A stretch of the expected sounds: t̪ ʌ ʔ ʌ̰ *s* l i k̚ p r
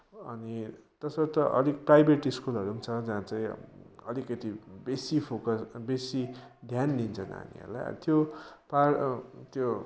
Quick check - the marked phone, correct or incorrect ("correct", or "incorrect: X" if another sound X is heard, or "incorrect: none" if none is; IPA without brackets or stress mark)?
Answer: incorrect: none